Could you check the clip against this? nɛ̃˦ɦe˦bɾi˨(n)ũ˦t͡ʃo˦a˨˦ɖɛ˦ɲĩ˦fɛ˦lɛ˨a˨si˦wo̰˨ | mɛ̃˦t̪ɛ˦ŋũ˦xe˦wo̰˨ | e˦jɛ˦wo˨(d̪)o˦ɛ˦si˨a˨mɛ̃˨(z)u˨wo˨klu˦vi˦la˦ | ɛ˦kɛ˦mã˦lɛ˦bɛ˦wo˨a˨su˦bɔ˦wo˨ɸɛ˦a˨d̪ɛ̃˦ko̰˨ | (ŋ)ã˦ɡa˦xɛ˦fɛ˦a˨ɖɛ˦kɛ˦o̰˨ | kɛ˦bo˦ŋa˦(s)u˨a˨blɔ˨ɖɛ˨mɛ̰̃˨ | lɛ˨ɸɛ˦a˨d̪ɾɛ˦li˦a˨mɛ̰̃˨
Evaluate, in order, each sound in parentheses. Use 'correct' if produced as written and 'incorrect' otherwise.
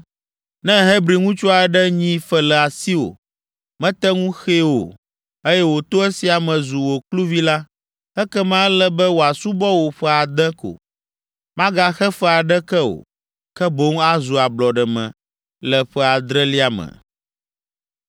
incorrect, incorrect, correct, incorrect, incorrect

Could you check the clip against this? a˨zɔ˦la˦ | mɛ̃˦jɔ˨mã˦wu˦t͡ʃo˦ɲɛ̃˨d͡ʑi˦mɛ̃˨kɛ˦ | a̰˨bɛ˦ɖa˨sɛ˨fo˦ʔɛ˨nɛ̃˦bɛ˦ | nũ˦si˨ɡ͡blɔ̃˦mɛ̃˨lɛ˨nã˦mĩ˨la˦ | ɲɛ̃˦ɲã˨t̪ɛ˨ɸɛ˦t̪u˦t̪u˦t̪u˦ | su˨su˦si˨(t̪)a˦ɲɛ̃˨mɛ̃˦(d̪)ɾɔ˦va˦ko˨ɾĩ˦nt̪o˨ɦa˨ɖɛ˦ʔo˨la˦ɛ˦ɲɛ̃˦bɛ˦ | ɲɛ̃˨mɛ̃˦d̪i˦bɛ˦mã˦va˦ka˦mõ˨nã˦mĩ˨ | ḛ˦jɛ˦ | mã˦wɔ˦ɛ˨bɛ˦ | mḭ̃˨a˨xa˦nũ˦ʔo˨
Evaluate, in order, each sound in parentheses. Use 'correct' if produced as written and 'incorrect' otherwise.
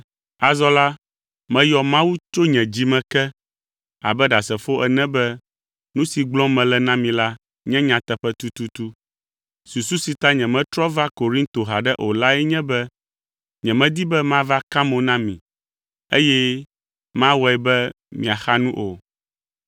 correct, incorrect

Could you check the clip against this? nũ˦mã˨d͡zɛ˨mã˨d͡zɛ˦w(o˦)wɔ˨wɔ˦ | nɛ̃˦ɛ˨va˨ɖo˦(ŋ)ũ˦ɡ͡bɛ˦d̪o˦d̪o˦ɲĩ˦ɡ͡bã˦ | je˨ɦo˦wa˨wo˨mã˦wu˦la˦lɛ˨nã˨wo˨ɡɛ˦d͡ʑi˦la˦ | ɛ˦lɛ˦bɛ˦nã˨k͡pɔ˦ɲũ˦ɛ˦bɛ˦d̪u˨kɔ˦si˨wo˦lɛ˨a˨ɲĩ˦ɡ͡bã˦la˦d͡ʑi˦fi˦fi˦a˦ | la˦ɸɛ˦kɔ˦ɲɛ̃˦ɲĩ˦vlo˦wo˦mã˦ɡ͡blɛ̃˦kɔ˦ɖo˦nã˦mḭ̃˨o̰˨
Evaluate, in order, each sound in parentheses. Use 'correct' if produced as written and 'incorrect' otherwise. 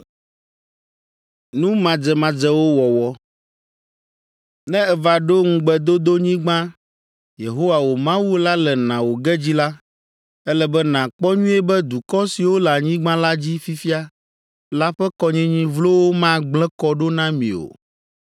correct, correct

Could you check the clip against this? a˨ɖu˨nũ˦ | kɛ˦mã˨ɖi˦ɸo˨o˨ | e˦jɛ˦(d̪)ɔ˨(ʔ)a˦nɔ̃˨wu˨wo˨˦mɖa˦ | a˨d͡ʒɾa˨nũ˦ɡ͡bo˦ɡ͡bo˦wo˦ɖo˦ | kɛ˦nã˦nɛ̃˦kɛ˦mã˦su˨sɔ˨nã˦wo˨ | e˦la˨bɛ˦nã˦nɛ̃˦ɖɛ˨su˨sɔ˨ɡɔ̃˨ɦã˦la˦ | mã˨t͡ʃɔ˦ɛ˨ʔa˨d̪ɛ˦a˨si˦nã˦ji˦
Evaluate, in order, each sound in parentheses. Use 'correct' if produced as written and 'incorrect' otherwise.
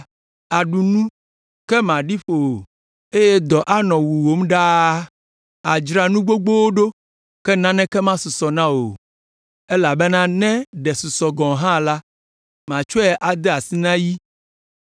correct, correct

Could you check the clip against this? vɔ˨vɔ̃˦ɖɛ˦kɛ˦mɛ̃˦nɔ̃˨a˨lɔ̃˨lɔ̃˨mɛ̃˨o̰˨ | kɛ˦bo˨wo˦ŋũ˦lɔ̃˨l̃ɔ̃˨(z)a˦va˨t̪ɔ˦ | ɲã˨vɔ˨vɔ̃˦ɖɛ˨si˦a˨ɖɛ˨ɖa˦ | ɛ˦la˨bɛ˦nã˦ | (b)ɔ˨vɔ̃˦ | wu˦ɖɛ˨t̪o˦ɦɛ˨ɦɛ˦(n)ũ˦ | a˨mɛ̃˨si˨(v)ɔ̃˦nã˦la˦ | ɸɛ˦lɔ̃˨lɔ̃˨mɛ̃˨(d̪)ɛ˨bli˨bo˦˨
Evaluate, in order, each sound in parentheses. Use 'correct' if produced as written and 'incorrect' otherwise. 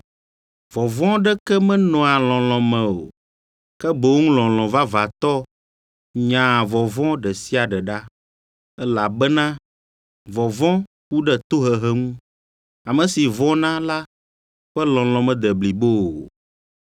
incorrect, incorrect, incorrect, correct, correct

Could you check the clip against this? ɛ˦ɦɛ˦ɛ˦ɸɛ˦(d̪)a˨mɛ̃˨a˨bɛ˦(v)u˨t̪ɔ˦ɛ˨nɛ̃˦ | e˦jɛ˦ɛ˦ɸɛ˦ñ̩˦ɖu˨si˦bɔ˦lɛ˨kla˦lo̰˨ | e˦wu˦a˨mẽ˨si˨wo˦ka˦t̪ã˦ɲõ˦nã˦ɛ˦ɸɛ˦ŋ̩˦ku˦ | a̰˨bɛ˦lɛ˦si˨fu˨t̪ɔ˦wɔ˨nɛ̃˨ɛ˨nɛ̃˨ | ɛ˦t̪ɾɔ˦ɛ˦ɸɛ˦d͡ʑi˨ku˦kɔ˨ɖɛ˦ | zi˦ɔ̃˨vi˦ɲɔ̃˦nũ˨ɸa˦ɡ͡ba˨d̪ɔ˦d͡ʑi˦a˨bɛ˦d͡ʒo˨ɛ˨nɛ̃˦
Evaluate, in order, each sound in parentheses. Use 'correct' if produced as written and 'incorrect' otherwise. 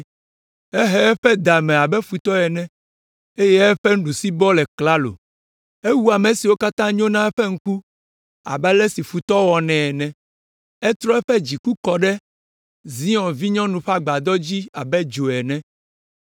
correct, incorrect

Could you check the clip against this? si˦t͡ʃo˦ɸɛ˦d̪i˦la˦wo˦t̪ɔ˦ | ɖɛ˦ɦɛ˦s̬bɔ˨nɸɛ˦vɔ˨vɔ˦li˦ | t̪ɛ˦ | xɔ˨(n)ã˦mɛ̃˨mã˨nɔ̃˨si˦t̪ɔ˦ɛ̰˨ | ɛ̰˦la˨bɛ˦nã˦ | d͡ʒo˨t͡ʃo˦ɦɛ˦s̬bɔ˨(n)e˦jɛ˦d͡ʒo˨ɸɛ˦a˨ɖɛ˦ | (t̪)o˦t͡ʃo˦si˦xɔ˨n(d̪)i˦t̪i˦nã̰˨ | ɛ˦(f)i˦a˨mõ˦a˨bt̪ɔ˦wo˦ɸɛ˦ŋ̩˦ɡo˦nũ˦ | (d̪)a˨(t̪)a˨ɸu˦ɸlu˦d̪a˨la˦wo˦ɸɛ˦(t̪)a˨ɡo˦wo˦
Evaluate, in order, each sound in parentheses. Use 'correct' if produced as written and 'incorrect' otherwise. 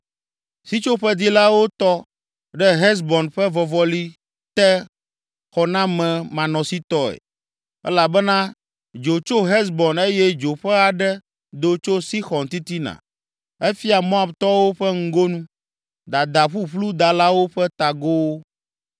correct, correct, incorrect, incorrect, correct, correct, incorrect, correct

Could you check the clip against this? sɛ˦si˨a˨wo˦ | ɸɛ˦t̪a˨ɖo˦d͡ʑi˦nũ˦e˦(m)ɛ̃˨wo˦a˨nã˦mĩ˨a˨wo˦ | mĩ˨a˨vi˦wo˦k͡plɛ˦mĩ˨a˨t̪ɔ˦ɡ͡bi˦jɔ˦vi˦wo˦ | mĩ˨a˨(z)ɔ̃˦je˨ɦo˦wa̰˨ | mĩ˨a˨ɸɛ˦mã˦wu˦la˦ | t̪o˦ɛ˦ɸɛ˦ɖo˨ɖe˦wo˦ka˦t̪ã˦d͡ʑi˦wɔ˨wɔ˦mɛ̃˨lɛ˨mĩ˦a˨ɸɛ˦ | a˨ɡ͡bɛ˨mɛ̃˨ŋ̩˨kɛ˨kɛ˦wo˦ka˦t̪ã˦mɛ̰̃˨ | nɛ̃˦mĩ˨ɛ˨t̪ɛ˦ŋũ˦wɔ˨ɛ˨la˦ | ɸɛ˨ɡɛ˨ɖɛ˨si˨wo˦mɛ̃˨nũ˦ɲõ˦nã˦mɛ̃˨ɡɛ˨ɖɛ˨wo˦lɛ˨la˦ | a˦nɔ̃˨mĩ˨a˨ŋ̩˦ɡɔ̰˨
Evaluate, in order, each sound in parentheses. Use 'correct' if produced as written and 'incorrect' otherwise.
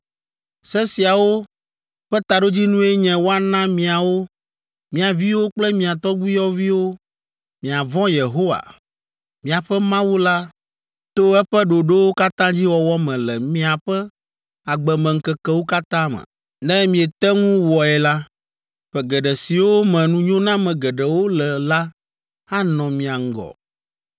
incorrect, incorrect

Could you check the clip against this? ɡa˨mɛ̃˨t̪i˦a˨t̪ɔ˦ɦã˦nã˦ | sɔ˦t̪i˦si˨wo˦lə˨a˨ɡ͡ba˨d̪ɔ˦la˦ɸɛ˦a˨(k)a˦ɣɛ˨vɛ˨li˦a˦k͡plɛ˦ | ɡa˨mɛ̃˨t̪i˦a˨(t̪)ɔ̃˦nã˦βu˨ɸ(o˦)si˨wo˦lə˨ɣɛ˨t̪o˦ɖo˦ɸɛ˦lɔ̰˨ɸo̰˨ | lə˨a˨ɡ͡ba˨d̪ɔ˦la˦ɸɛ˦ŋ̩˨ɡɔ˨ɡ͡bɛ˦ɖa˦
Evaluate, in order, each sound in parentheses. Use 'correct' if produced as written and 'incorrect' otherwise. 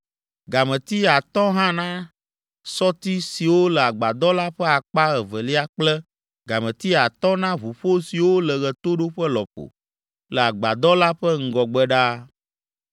incorrect, correct, correct

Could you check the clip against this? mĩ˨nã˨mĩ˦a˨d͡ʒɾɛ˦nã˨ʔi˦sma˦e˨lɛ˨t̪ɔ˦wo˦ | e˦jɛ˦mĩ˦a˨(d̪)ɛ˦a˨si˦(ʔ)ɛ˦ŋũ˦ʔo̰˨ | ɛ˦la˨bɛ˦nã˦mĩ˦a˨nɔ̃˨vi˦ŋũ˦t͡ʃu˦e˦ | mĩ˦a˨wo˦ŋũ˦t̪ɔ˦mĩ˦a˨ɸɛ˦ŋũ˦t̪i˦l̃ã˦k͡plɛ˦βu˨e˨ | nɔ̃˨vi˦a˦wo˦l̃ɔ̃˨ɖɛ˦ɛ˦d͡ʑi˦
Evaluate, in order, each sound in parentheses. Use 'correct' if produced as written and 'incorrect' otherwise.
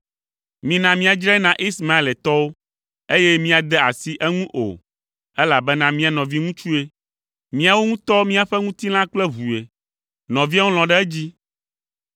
correct, correct

